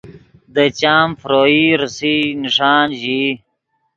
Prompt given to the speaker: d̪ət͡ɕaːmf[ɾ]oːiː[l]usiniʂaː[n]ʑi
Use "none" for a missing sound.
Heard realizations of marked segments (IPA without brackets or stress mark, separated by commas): ɾ, ɾ, n